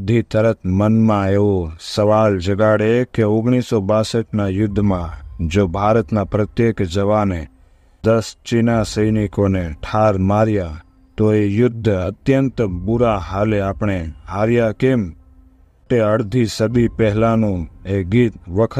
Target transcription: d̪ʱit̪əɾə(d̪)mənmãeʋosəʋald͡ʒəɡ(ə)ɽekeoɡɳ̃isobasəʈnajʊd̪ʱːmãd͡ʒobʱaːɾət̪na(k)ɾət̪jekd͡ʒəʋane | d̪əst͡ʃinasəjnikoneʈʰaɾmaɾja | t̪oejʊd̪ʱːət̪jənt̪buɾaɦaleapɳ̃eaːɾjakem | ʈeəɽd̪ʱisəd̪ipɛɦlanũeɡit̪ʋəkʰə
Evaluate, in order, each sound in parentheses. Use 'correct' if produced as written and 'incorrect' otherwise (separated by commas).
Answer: incorrect, incorrect, incorrect